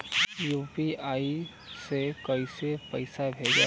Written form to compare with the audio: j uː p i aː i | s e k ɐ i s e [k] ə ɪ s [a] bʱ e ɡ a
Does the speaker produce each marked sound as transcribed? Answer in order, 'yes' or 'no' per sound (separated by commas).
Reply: no, yes